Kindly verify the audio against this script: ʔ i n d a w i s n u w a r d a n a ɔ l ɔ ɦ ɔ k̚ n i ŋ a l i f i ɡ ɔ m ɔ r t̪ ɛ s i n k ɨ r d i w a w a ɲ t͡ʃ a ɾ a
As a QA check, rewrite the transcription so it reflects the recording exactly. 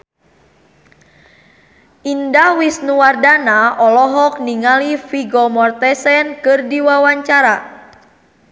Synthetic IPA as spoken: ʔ i n d a w i s n u w a r d a n a ɔ l ɔ ɦ ɔ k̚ n i ŋ a l i f i ɡ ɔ m ɔ r t̪ ɛ s ɛ n k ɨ r d i w a w a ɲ t͡ʃ a ɾ a